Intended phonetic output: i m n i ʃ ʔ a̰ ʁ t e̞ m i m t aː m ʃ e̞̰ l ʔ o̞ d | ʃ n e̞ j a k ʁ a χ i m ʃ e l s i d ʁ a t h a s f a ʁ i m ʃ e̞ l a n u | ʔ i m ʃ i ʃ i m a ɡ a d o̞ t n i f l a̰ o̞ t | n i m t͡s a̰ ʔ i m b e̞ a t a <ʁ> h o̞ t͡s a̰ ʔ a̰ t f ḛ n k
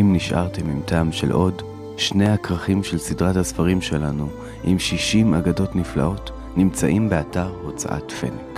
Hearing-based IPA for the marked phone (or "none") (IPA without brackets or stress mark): ʁ